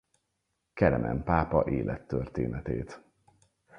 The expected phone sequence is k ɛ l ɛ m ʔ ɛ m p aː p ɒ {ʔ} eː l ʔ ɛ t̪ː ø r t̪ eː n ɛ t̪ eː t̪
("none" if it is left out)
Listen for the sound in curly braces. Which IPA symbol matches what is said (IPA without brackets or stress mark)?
ʔ